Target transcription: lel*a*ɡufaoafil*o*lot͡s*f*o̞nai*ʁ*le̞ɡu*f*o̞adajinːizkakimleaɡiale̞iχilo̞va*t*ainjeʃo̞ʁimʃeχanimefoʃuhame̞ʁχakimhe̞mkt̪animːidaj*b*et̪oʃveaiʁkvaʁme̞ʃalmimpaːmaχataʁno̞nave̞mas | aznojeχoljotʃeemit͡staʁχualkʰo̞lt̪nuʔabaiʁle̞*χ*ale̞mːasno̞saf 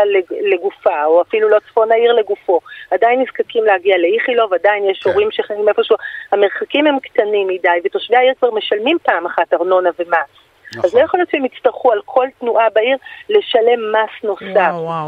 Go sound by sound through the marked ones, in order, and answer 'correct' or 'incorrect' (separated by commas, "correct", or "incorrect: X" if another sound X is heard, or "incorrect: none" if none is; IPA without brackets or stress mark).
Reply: incorrect: e, incorrect: u, correct, correct, correct, incorrect: d, incorrect: v, incorrect: ʃ